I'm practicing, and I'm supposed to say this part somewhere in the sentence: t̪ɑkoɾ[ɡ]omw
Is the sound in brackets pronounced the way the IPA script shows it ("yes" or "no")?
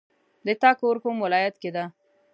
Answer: no